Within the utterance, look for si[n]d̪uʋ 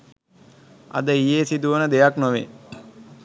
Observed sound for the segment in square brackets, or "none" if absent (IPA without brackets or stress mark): none